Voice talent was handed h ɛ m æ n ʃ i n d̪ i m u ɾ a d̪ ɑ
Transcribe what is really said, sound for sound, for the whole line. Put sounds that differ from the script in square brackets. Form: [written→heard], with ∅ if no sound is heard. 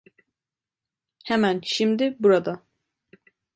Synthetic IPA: h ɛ m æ n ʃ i [n→m] d̪ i [m→b] u ɾ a d̪ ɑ